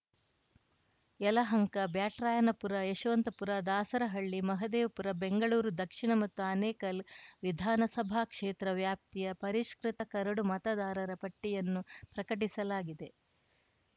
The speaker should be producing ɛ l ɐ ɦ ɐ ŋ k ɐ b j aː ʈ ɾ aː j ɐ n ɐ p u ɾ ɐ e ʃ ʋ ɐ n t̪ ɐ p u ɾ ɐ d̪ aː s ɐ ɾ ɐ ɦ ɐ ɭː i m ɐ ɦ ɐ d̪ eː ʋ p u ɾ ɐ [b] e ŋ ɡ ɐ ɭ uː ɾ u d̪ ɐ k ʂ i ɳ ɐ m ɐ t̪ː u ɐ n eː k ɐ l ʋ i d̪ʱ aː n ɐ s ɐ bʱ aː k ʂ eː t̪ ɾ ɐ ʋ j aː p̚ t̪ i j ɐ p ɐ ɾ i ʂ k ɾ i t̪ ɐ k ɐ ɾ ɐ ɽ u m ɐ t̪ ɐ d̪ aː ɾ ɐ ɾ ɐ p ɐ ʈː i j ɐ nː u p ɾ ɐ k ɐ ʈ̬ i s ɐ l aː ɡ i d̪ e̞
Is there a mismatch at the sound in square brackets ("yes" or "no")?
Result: no